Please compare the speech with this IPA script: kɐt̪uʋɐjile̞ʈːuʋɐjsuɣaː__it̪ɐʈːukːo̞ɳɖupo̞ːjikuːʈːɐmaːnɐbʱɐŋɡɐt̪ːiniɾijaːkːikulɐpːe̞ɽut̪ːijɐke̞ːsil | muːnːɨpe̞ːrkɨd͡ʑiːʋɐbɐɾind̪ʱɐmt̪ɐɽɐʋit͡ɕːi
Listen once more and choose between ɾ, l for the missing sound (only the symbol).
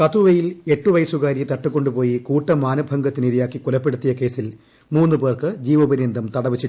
ɾ